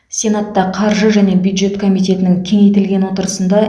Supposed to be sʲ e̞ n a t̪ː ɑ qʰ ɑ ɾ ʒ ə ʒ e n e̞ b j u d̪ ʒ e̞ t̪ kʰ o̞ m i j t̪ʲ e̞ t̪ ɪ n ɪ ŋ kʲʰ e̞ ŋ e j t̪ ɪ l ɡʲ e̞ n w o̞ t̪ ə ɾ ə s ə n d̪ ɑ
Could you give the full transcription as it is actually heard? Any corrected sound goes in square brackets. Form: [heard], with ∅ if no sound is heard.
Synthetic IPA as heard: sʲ e̞ n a t̪ː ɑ qʰ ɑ ɾ ʒ ə ʒ [æ] n e̞ b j u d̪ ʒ e̞ t̪ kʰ o̞ m i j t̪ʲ e̞ t̪ ɪ n ɪ ŋ kʲʰ e̞ ŋ e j t̪ ɪ l ɡʲ e̞ n w o̞ t̪ ə ɾ ə s ə n d̪ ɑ